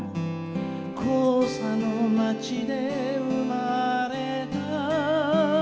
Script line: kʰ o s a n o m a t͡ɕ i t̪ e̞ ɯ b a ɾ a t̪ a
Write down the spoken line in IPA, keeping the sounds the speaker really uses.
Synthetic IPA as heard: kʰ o s a n o m a t͡ɕ i d̪ e̞ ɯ m a ɾ e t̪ a